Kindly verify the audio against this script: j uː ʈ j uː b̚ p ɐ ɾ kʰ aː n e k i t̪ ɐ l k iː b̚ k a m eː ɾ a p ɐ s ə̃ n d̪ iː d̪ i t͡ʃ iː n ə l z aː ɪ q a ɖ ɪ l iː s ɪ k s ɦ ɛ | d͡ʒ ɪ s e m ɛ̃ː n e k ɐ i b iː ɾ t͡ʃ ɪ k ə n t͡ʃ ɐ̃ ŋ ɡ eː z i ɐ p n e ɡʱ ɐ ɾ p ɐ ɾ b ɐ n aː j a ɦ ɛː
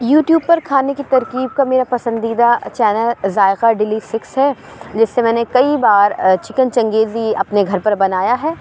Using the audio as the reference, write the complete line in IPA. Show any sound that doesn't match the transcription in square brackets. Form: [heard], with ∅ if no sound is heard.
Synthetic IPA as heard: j uː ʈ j uː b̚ p ɐ ɾ kʰ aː n e k i t̪ ɐ [ɾ] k iː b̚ k a m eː ɾ a p ɐ s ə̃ n d̪ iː d̪ [a] t͡ʃ [ɛː] n ə l z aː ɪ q a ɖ ɪ l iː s ɪ k s ɦ ɛ | d͡ʒ ɪ [sː] e m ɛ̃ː n e k ɐ i b [aː] ɾ t͡ʃ ɪ k ə n t͡ʃ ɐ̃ ŋ ɡ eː z i ɐ p n e ɡʱ ɐ ɾ p ɐ ɾ b ɐ n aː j a ɦ ɛː

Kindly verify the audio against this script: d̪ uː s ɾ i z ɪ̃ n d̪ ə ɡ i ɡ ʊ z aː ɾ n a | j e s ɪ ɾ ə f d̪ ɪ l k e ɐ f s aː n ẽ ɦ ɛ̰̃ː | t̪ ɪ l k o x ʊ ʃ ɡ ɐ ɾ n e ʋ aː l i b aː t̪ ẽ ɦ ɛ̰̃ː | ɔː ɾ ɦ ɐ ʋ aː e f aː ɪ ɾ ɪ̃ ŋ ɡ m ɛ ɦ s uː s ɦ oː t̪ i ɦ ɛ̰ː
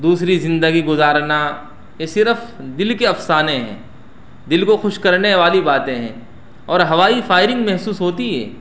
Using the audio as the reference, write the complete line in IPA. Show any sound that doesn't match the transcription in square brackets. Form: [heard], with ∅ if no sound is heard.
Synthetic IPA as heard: d̪ uː s ɾ i z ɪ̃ n d̪ ə ɡ i ɡ ʊ z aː ɾ n a | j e s ɪ ɾ ə f d̪ ɪ l k e ɐ f s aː n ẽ ɦ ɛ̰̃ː | [d̪] ɪ l k o x ʊ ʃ [k] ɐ ɾ n e ʋ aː l i b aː t̪ ẽ ɦ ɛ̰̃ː | ɔː ɾ ɦ ɐ ʋ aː [i] f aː ɪ ɾ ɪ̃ ŋ ɡ m ɛ ɦ s uː s ɦ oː t̪ i ɦ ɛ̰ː

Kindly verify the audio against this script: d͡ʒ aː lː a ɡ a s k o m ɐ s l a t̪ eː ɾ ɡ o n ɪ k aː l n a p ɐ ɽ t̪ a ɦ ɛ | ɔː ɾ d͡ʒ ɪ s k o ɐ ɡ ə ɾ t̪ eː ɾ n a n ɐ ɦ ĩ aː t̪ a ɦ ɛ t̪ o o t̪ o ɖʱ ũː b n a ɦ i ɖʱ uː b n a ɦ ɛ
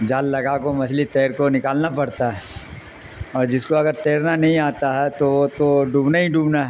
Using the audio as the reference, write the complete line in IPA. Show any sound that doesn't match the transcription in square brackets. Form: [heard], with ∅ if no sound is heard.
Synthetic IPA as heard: d͡ʒ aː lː [ɐ] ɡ a [∅] k o m ɐ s l [i] t̪ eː ɾ [k] o n ɪ k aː l n a p ɐ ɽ t̪ a ɦ ɛ | ɔː ɾ d͡ʒ ɪ s k o ɐ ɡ ə ɾ t̪ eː ɾ n a n ɐ ɦ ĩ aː t̪ a ɦ ɛ t̪ o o t̪ o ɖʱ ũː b n a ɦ i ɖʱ uː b n a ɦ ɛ

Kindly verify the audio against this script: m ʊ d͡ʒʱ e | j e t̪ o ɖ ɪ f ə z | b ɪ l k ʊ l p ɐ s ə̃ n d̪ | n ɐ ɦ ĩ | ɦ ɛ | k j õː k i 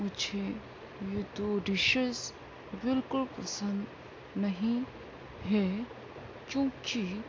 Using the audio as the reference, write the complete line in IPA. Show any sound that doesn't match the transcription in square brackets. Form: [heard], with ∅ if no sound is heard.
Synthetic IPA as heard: m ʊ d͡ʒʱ e | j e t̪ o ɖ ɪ [ʃ] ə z | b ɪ l k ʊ l p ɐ s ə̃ n d̪ | n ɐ ɦ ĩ | ɦ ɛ | k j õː k i

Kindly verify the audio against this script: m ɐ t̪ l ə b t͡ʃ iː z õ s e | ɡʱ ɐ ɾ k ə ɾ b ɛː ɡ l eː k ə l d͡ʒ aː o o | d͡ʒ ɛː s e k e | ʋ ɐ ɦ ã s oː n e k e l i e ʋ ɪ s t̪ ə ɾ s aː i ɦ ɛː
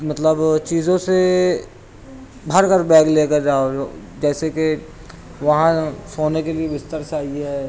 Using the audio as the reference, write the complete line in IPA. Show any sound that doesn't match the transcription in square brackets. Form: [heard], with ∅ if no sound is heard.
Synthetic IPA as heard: m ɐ t̪ l ə b t͡ʃ iː z õ s e | [bʱ] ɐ ɾ k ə ɾ b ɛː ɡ l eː k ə [ɾ] d͡ʒ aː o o | d͡ʒ ɛː s e k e | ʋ ɐ ɦ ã s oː n e k e l i e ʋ ɪ s t̪ ə ɾ s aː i ɦ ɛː

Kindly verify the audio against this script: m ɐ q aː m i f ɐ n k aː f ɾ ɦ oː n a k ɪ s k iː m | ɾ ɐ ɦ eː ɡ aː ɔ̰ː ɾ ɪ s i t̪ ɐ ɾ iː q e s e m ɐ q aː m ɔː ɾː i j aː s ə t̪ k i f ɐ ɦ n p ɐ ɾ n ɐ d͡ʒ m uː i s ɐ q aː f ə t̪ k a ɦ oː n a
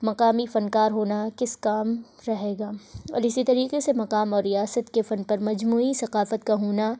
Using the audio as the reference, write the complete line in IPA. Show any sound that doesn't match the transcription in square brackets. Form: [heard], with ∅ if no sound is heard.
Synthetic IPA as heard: m ɐ q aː m i f ɐ n k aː [∅] ɾ ɦ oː n a k ɪ s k [aː] m | ɾ ɐ ɦ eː ɡ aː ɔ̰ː ɾ ɪ s i t̪ ɐ ɾ iː q e s e m ɐ q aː m ɔː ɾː i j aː s ə t̪ k [e] f ɐ [∅] n p ɐ ɾ [m] ɐ d͡ʒ m uː i s ɐ q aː f ə t̪ k a ɦ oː n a

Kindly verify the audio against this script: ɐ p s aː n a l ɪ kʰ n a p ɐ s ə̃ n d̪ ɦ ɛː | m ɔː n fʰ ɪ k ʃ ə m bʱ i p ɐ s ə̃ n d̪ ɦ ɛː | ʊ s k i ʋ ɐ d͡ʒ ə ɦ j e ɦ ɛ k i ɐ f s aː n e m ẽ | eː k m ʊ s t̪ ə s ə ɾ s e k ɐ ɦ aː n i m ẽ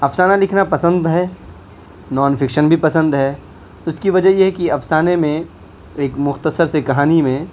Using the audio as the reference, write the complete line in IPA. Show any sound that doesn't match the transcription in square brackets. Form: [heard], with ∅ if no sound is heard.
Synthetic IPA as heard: ɐ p s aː n a l ɪ kʰ n a p ɐ s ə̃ n d̪ ɦ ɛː | [n] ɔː n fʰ ɪ k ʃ ə [n] bʱ i p ɐ s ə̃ n d̪ ɦ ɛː | ʊ s k i ʋ ɐ d͡ʒ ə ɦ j e ɦ ɛ k i ɐ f s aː n e m ẽ | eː k m ʊ [x] t̪ ə s ə ɾ s e k ɐ ɦ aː n i m ẽ

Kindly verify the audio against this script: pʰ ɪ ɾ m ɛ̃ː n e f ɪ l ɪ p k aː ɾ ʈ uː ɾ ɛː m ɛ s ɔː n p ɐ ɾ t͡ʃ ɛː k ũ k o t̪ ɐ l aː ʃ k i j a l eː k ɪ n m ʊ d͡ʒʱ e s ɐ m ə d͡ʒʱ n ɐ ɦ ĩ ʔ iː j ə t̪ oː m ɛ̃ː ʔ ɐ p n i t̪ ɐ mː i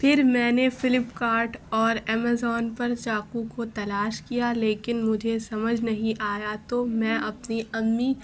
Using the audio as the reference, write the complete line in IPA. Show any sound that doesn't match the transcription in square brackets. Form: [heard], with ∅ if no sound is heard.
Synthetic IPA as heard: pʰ ɪ ɾ m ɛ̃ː n e f ɪ l ɪ p k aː ɾ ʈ [ɔː] ɾ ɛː m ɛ [z] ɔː n p ɐ ɾ t͡ʃ [aː] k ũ k o t̪ ɐ l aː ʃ k i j a l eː k ɪ n m ʊ d͡ʒʱ e s ɐ m ə d͡ʒʱ n ɐ ɦ ĩ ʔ [aː] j [a] t̪ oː m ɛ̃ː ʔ ɐ p n i [∅] ɐ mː i

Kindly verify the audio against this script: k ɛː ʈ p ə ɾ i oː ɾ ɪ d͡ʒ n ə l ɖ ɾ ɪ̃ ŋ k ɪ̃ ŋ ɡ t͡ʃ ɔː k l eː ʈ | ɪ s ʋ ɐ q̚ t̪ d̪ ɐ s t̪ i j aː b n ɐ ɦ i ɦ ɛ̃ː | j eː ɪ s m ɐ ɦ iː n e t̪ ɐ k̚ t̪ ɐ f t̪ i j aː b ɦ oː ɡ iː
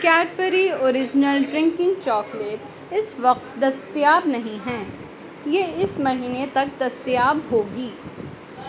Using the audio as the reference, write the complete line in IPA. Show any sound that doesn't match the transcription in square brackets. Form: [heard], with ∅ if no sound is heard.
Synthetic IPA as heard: k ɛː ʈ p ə ɾ i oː ɾ ɪ d͡ʒ n ə l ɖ ɾ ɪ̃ ŋ k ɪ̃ ŋ ɡ t͡ʃ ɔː k l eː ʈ | ɪ s ʋ ɐ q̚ t̪ d̪ ɐ s t̪ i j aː b n ɐ ɦ [ĩ] ɦ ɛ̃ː | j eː ɪ s m ɐ ɦ iː n e t̪ ɐ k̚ [d̪] ɐ [s] t̪ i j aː b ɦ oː ɡ iː

